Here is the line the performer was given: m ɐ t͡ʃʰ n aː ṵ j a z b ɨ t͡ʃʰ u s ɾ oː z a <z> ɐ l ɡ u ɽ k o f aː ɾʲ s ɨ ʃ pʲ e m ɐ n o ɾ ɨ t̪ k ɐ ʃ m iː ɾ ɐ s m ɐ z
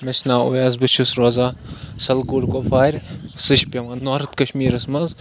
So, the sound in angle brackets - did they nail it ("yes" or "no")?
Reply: no